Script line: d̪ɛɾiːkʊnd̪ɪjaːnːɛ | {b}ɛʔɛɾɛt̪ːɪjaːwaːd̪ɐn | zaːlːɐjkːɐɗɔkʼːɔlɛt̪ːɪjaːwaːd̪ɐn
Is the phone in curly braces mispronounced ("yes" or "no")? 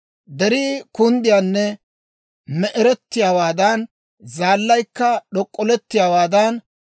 yes